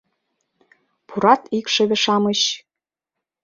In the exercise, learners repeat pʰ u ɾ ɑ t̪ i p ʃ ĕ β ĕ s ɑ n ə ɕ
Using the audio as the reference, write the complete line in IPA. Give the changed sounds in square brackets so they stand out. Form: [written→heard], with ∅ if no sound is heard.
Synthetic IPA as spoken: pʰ u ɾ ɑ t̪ i [p→k] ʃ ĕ β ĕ [s→ʃ] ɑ [n→m] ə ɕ